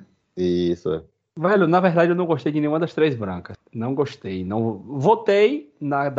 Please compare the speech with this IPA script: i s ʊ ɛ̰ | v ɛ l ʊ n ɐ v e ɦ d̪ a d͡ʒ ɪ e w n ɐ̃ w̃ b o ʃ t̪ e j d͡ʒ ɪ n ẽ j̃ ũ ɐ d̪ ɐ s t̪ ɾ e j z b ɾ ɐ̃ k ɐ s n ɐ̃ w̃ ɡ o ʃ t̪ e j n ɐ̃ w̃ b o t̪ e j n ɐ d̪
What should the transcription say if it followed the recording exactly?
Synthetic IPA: i s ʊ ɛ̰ | v ɛ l ʊ n ɐ v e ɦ d̪ a d͡ʒ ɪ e w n ɐ̃ w̃ ɡ o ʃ t̪ e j d͡ʒ ɪ n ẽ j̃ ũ ɐ d̪ ɐ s t̪ ɾ e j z b ɾ ɐ̃ k ɐ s n ɐ̃ w̃ ɡ o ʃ t̪ e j n ɐ̃ w̃ v o t̪ e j n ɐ d̪